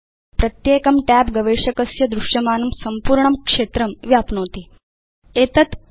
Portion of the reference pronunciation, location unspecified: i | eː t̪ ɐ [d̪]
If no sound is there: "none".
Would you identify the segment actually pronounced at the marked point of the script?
t̪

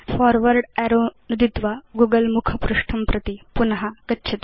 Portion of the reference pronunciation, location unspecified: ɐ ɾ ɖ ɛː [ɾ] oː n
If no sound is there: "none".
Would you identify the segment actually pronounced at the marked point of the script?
ɾ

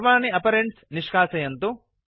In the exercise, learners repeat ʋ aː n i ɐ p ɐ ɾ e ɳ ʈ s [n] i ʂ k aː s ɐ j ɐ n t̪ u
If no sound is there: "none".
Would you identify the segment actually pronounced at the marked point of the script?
n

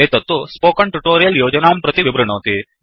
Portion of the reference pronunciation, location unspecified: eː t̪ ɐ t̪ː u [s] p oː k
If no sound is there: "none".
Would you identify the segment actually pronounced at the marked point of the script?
s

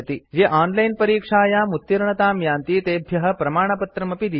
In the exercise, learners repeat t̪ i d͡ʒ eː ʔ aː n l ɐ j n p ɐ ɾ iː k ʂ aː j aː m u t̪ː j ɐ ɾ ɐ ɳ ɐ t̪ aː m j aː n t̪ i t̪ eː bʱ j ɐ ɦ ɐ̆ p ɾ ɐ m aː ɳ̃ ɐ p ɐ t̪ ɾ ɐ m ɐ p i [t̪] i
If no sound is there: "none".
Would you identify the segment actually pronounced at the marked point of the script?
d̪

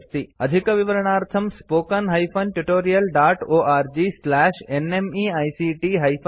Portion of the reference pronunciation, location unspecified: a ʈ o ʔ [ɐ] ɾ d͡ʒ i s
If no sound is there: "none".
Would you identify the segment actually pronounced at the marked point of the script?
a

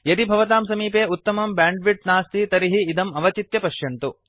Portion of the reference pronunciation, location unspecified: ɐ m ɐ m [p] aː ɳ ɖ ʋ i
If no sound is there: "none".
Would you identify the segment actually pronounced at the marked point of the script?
b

